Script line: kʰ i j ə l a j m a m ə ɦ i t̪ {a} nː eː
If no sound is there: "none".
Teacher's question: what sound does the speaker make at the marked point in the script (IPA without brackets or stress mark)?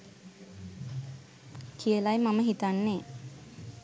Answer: a